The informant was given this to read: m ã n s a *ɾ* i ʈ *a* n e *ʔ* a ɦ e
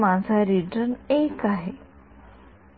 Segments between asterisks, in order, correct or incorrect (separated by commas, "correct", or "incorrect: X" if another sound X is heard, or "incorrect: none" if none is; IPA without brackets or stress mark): correct, incorrect: ə, incorrect: k